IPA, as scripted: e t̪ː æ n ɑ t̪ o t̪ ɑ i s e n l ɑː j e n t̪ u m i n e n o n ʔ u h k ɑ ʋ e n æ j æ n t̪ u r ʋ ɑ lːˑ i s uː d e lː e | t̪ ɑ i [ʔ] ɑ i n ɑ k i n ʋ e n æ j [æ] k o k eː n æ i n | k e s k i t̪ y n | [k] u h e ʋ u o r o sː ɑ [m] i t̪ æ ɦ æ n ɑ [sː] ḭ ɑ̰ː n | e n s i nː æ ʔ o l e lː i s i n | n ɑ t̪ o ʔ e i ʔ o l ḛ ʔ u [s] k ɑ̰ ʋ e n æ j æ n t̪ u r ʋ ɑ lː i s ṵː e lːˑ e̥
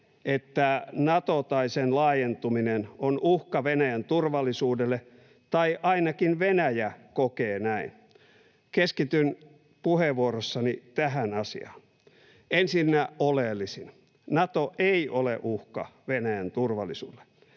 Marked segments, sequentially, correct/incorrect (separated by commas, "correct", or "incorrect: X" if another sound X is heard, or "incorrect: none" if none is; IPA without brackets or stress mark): correct, correct, incorrect: p, incorrect: n, incorrect: s, incorrect: h